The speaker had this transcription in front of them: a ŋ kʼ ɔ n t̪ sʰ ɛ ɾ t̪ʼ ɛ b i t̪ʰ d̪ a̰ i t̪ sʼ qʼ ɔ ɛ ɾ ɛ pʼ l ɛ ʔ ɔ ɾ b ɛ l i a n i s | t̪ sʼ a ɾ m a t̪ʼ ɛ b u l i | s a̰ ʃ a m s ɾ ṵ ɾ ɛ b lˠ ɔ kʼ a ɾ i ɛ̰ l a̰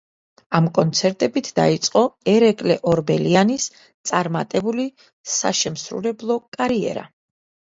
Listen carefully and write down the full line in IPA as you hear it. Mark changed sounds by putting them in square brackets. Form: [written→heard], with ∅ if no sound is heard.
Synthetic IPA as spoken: a [ŋ→m] kʼ ɔ n t̪ sʰ ɛ ɾ t̪ʼ ɛ b i t̪ʰ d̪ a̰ i t̪ sʼ qʼ ɔ ɛ ɾ ɛ [pʼ→kʼ] l ɛ ʔ ɔ ɾ b ɛ l i a n i s | t̪ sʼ a ɾ m a t̪ʼ ɛ b u l i | s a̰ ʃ [a→ɛ] m s ɾ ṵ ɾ ɛ b lˠ ɔ kʼ a ɾ i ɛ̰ [l→ɾ] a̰